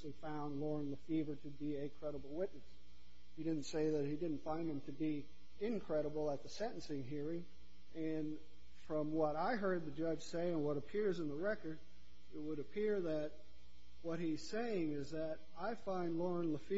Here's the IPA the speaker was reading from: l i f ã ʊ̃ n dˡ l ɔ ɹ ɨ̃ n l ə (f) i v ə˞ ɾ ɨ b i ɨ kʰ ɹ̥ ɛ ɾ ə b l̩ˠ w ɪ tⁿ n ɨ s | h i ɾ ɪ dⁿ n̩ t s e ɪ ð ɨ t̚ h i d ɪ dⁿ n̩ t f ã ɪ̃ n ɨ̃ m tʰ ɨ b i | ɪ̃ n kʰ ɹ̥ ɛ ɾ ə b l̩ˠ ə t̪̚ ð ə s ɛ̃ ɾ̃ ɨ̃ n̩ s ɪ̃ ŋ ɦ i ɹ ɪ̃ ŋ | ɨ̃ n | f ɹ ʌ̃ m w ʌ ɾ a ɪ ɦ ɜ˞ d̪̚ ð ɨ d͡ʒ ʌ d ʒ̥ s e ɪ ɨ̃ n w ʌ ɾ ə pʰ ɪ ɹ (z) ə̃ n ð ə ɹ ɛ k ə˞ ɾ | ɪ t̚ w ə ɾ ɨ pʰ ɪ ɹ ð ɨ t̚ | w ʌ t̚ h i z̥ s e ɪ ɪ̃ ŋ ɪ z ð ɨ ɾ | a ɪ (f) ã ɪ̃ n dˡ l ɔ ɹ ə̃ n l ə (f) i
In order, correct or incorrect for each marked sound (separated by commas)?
correct, correct, correct, correct